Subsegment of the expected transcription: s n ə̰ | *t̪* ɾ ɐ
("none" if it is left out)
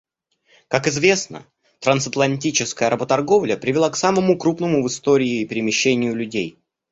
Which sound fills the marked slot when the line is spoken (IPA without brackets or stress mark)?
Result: t̪